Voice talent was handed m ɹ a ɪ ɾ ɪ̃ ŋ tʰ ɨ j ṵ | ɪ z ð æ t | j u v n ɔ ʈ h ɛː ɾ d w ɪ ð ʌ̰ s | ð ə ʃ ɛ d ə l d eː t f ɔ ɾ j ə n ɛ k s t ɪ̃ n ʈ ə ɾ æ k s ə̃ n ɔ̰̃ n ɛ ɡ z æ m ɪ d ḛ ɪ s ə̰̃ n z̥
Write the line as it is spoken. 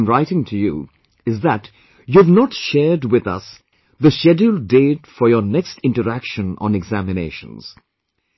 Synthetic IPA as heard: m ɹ a ɪ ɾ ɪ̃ ŋ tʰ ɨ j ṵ | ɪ z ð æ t | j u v n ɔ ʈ ʃ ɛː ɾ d w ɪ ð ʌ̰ s | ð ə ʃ ɛ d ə l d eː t f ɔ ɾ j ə n ɛ k s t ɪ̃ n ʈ ə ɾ æ k ʃ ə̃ n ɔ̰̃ n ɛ ɡ z æ m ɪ n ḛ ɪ ʃ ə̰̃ n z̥